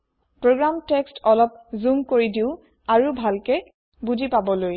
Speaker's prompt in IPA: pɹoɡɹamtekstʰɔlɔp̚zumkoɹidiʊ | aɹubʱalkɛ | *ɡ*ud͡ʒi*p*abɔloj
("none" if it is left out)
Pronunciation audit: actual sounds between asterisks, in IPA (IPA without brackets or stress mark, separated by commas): b, p